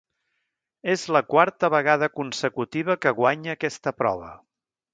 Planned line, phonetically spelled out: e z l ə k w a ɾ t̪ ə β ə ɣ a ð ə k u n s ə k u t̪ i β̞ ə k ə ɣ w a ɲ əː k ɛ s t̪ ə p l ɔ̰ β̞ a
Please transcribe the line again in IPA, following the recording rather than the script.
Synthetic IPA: e z l ə k w a ɾ t̪ ə β ə ɣ a ð ə k u n s ə k u t̪ i β̞ ə k ə ɣ w a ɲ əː k ɛ s t̪ ə p ɾ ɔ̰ β̞ ə